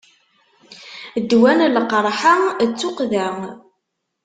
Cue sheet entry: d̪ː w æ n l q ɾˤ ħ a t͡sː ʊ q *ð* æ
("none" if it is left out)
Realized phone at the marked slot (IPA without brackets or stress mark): ð